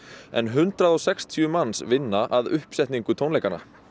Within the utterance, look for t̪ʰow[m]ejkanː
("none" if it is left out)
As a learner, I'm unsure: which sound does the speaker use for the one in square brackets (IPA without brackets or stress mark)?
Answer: n